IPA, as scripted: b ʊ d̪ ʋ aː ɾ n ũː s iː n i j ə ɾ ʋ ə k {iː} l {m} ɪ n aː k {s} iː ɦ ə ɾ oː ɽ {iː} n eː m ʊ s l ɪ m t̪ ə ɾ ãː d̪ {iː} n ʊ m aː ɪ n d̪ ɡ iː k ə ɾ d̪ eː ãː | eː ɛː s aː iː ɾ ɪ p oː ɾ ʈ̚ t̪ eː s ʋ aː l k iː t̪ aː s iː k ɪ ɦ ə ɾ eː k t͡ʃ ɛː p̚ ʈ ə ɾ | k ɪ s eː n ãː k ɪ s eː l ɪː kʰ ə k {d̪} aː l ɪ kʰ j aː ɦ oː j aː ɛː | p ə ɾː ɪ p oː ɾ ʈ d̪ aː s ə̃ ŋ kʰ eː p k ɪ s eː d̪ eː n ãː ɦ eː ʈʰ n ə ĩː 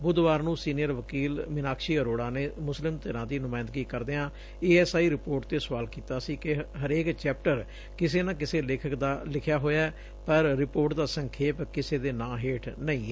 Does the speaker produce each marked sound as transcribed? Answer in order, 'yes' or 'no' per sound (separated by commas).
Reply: yes, yes, no, no, yes, yes